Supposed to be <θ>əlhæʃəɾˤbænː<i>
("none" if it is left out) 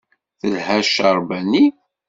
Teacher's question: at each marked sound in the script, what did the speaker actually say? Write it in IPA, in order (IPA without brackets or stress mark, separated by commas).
θ, i